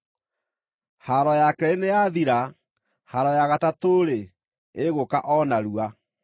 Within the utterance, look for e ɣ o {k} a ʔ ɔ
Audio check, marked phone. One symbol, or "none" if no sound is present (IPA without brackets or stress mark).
k